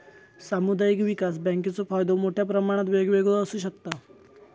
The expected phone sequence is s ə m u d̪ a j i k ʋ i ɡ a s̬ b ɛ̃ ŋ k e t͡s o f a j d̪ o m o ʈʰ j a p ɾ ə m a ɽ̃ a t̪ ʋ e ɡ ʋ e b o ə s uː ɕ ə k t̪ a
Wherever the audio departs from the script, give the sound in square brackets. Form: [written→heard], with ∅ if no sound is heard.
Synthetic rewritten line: s [ə→a] m u d̪ a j i k ʋ i [ɡ→k] a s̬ b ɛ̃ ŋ k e t͡s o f a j d̪ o m o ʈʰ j a p ɾ ə m a ɽ̃ a t̪ ʋ e ɡ ʋ e [b→ɡ] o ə s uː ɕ ə k t̪ a